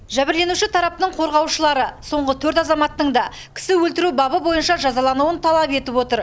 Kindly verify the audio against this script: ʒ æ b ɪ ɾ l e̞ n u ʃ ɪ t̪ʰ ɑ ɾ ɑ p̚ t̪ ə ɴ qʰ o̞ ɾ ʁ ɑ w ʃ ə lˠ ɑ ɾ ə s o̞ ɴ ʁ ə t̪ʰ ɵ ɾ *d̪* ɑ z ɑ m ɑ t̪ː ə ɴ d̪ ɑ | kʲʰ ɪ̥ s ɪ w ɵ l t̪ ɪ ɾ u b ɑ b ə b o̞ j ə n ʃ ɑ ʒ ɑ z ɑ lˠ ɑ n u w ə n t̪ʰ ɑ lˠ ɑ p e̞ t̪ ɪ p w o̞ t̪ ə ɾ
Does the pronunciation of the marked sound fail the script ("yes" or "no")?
yes